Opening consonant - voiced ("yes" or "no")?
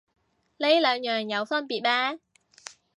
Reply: yes